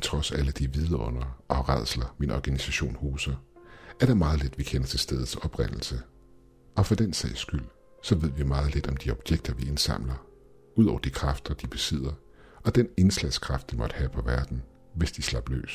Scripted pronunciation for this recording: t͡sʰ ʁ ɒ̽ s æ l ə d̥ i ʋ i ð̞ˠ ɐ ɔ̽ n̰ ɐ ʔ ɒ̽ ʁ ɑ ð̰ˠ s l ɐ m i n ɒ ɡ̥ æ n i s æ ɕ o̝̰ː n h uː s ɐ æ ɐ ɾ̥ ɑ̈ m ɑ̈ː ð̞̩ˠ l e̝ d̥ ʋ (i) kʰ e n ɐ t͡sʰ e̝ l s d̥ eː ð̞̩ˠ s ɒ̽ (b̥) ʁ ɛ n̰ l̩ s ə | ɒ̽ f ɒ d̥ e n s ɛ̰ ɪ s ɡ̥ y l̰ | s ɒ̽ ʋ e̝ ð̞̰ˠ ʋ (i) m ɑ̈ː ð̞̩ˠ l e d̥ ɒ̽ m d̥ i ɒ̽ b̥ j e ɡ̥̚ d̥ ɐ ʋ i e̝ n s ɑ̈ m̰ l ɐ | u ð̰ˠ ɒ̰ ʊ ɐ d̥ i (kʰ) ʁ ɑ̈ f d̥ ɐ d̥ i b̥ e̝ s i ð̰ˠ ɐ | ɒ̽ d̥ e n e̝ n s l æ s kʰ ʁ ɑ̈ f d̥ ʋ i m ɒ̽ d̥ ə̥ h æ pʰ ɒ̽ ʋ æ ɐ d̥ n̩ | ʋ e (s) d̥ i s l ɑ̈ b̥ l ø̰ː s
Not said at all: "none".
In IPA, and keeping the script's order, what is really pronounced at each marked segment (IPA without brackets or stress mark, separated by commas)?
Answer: i, b̥, i, kʰ, s